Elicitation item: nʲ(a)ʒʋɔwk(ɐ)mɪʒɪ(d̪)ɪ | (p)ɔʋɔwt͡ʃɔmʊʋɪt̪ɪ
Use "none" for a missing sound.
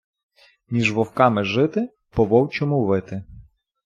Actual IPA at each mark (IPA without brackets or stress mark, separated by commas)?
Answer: i, ɑ, t̪, p